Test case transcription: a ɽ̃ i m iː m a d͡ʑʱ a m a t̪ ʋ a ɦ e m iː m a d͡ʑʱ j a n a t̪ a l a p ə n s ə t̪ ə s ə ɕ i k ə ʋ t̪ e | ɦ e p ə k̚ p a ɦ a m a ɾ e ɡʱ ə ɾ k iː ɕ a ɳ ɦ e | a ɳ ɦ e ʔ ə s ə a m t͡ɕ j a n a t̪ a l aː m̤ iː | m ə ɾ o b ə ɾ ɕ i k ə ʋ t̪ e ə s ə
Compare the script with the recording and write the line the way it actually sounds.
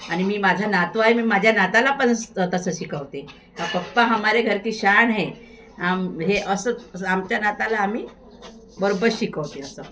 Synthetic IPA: a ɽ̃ i m iː m a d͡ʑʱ a n a t̪ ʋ a ɦ e m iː m a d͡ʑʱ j a n a t̪ a l a p ə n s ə t̪ ə s ə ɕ i k ə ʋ t̪ e | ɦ a p ə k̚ p a ɦ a m a ɾ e ɡʱ ə ɾ k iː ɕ a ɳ ɦ e | a m ɦ e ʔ ə s ə a m t͡ɕ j a n a t̪ a l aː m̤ iː | b ə ɾ o b ə ɾ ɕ i k ə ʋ t̪ e ə s ə